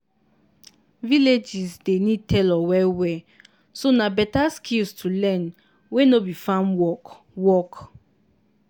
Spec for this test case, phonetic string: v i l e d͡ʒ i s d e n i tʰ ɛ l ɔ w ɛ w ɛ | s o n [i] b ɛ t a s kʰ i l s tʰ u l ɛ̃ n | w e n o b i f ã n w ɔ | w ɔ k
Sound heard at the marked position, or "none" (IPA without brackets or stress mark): a